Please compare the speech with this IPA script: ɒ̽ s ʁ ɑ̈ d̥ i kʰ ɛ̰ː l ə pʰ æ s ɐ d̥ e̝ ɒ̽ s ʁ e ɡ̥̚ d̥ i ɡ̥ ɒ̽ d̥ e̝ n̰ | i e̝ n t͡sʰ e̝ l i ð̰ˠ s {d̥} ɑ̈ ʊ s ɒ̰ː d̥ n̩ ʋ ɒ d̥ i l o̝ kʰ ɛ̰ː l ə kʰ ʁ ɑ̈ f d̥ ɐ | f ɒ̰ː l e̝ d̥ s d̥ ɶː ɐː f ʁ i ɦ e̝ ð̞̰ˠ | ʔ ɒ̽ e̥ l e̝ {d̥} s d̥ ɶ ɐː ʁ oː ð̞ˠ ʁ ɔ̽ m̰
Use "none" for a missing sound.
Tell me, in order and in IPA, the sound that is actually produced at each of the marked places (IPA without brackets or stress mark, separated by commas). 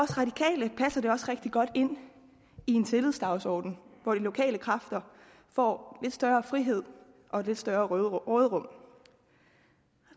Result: d̥, d̥